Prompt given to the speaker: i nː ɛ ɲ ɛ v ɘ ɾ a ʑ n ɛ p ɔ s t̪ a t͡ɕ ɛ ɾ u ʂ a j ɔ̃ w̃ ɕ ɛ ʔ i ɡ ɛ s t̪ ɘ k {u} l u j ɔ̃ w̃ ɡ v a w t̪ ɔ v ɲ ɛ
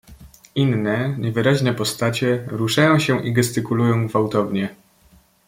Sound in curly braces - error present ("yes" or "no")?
no